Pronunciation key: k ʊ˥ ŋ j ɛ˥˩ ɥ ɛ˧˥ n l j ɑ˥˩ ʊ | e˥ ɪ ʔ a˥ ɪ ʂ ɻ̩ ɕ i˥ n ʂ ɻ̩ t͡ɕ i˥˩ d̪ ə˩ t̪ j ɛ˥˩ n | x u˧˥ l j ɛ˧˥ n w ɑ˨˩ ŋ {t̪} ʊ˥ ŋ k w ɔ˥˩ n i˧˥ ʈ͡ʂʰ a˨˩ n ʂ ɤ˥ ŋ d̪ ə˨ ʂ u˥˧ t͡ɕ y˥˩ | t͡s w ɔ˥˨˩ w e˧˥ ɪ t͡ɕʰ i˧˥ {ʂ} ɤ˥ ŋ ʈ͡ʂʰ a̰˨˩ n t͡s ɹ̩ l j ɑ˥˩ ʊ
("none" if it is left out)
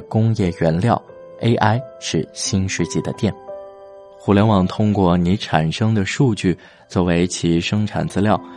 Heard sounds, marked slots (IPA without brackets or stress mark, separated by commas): t̪ʰ, ʂ